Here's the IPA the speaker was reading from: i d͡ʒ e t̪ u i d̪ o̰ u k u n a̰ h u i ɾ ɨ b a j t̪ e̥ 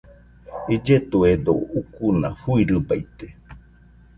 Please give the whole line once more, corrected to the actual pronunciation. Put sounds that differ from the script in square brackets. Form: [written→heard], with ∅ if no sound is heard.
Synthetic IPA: i d͡ʒ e t̪ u [i→e] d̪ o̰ u k u n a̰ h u i ɾ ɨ b a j t̪ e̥